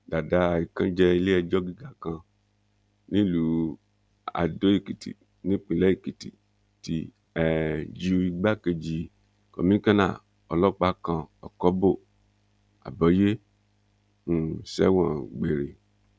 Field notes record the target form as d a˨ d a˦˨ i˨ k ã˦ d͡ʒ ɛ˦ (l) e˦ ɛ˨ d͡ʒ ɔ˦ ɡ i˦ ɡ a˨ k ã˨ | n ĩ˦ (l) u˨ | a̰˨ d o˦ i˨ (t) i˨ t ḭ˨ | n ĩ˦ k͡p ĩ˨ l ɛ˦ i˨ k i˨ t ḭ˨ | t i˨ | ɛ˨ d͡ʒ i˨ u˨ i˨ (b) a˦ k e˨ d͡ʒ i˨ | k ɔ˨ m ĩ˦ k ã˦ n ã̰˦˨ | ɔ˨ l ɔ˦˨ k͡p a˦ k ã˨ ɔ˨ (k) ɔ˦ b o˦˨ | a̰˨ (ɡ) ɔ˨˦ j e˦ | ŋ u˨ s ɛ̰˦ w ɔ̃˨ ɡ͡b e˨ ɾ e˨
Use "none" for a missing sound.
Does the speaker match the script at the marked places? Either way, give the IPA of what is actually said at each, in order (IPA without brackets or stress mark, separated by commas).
l, l, k, ɡ͡b, k, b